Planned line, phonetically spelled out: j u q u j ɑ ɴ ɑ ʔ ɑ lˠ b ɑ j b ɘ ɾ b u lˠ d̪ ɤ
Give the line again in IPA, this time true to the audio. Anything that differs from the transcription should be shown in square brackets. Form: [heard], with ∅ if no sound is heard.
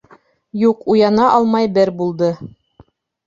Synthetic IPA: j u q u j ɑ [n] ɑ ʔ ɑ lˠ [m] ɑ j b ɘ ɾ b u lˠ d̪ ɤ